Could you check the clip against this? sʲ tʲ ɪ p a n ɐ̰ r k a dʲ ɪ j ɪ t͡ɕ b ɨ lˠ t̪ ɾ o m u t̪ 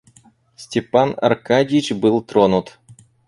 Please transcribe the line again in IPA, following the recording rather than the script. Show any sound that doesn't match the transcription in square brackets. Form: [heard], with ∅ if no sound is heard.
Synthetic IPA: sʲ tʲ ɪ p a n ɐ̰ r k a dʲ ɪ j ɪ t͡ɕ b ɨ lˠ t̪ ɾ o [n] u t̪